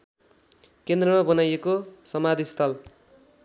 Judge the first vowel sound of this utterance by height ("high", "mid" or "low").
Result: mid